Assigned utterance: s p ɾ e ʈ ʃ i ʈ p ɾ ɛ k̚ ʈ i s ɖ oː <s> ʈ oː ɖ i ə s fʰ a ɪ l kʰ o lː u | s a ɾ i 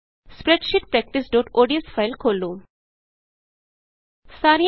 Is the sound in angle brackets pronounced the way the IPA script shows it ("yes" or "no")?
no